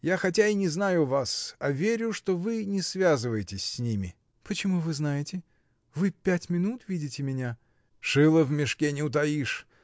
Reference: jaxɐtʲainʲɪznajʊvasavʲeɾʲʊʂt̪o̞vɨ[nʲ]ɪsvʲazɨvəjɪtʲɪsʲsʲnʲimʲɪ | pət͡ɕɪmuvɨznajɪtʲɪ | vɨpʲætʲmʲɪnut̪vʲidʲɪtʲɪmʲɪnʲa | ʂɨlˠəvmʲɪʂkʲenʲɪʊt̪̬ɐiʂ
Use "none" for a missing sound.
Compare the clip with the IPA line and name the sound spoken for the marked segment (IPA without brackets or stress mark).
nʲ